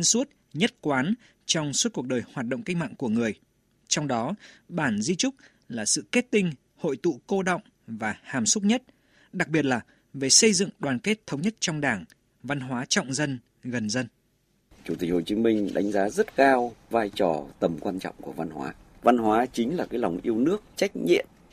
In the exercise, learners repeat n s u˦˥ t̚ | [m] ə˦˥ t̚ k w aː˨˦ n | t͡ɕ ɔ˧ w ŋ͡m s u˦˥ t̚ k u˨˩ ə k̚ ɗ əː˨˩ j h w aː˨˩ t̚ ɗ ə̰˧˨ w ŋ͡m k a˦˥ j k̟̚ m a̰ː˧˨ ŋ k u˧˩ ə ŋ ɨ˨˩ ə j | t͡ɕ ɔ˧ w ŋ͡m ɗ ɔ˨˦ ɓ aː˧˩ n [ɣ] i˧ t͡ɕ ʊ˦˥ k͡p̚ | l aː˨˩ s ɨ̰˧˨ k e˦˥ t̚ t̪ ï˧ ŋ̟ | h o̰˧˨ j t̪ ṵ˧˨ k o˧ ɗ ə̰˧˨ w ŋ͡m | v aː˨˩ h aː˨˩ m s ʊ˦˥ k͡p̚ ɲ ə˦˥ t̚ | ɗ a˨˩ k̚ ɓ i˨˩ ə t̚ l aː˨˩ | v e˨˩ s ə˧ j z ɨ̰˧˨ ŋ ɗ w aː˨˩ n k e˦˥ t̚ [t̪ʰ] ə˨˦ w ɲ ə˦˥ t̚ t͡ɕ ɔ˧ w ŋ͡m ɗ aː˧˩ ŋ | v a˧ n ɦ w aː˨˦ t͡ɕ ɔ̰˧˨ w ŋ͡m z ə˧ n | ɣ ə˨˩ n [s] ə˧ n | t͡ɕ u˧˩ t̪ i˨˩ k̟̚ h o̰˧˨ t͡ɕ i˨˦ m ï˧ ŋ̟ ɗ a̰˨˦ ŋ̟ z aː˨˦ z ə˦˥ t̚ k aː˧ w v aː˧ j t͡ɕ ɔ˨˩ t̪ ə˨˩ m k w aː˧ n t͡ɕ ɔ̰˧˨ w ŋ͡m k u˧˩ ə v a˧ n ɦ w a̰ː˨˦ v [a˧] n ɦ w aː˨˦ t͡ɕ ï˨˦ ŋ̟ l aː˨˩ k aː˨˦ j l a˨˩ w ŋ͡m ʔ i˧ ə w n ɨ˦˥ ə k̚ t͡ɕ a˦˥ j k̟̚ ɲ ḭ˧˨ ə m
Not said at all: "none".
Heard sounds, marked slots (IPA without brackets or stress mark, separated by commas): ɲ, z, t̪ʰ, z, a˧